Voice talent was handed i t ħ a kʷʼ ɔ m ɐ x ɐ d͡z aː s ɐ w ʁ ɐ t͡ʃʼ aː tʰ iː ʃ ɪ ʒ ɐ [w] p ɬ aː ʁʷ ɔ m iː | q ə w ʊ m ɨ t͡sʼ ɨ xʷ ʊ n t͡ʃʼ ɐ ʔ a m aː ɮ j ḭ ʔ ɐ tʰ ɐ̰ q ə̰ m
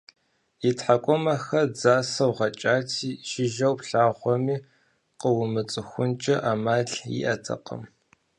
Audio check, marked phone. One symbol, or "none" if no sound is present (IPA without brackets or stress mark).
w